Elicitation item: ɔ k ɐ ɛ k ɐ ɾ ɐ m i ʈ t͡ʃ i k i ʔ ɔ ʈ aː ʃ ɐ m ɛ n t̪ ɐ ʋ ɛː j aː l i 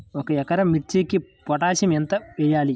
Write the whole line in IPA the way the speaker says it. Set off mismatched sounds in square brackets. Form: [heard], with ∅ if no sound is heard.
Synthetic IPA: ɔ k ɐ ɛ k ɐ ɾ ɐ m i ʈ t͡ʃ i k i [p] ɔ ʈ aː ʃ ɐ m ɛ n t̪ ɐ ʋ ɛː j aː l i